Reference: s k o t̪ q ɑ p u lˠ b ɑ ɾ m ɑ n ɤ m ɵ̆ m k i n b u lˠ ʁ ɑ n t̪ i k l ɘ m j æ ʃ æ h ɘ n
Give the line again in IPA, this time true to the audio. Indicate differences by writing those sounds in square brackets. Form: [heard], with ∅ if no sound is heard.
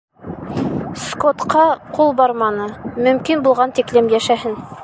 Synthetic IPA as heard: s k o t̪ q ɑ [q] u lˠ b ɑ ɾ m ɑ n ɤ m ɵ̆ m k i n b u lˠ ʁ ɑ n t̪ i k l ɘ m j æ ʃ æ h ɘ n